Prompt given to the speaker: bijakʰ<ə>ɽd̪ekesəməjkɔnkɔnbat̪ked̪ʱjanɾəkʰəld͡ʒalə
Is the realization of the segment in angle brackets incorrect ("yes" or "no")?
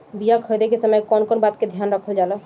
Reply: no